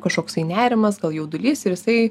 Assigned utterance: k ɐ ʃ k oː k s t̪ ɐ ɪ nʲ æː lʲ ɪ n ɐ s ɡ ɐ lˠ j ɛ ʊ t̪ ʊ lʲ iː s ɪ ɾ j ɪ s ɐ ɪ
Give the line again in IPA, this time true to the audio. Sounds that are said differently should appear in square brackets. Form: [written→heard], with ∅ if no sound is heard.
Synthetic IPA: k ɐ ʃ k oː k s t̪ ɐ ɪ nʲ æː [lʲ→ɾʲ] ɪ [n→m] ɐ s ɡ ɐ lˠ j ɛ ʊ [t̪→d̪] ʊ lʲ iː s ɪ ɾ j ɪ s ɐ ɪ